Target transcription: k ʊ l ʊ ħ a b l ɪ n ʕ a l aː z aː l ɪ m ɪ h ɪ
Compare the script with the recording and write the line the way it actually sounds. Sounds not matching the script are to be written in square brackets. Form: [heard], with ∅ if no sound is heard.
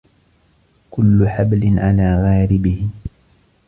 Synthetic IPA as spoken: k ʊ [lː] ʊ ħ a b l ɪ n ʕ a l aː [ɣ] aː [ɾ] ɪ [b] ɪ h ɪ